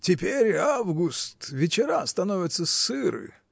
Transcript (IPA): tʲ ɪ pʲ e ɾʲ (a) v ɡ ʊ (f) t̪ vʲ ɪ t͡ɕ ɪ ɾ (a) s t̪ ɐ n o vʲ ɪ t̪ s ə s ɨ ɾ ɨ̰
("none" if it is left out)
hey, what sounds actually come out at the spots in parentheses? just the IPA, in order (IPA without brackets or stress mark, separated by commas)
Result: a, s, a